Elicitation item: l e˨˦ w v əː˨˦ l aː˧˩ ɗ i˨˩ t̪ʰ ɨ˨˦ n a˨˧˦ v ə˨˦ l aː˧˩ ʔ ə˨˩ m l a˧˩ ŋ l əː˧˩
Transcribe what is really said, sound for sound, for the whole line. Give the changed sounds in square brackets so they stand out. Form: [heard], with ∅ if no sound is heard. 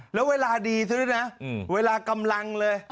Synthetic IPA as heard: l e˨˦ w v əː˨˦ l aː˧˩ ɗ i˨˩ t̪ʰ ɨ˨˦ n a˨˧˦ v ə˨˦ l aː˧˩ [k] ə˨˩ m l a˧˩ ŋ l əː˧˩